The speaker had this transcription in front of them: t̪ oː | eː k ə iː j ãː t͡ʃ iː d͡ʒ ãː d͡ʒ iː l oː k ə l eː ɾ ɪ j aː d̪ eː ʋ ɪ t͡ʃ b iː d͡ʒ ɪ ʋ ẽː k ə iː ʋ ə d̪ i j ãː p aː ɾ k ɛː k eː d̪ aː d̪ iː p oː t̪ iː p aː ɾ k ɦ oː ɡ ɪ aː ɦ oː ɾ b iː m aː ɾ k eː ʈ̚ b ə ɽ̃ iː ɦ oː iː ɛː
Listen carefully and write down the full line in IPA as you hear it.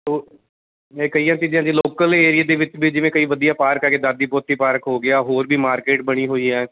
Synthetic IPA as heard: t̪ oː | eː k ə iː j ãː t͡ʃ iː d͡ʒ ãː d͡ʒ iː l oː k ə l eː ɾ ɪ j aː d̪ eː ʋ ɪ t͡ʃ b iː d͡ʒ ɪ ʋ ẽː k ə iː ʋ ə d̪ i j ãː p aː ɾ k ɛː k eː d̪ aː d̪ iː p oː t̪ iː p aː ɾ k ɦ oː ɡ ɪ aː ɦ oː ɾ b iː m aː ɾ k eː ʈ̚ b ə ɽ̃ iː ɦ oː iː ɛː